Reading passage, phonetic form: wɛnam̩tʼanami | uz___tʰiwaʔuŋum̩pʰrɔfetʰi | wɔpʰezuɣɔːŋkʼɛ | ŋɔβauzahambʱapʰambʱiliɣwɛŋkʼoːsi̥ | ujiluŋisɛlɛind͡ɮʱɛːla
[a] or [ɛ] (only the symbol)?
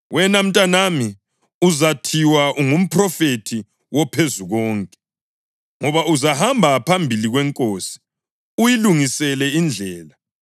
a